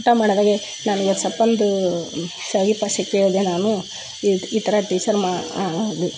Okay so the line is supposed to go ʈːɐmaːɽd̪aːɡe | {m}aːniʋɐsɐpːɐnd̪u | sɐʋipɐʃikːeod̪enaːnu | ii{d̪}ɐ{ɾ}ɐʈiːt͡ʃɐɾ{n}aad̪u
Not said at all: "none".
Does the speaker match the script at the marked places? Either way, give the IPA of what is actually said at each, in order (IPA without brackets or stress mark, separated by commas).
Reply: n, t̪, ɾ, m